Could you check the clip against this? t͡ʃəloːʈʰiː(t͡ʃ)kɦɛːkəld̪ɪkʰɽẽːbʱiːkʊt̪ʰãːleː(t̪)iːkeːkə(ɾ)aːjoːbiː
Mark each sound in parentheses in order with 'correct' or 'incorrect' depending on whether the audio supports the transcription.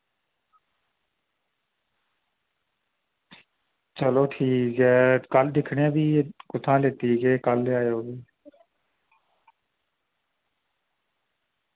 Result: incorrect, correct, incorrect

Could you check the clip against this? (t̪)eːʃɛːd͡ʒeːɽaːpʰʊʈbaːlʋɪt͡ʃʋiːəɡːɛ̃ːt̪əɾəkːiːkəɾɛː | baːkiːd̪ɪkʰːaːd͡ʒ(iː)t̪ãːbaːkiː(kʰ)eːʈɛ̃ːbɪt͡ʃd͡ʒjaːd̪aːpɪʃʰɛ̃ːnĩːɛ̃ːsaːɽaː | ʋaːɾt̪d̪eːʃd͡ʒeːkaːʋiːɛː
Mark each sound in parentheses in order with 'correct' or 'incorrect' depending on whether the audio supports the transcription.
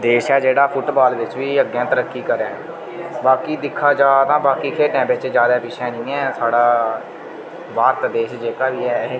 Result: incorrect, incorrect, correct

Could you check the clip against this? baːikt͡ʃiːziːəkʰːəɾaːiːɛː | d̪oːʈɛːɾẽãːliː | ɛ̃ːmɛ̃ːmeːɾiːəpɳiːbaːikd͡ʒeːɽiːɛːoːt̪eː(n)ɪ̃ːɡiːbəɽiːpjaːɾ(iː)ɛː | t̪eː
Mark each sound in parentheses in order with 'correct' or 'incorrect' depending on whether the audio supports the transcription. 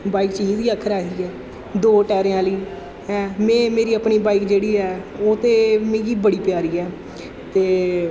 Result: incorrect, correct

